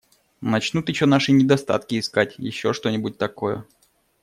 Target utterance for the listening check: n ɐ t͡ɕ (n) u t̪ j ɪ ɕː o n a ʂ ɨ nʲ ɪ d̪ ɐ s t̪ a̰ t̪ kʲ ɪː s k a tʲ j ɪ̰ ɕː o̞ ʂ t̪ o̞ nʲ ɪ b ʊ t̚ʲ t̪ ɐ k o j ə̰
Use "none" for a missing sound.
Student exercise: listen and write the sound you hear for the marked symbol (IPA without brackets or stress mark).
n